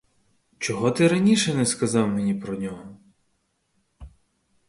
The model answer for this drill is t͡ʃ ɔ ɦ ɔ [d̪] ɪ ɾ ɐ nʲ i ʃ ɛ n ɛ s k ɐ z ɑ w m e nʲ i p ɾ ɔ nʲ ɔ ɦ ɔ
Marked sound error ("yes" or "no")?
yes